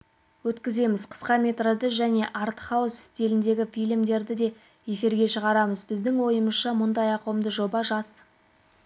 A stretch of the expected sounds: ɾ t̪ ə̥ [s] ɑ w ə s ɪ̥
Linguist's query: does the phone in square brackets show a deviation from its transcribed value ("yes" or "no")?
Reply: yes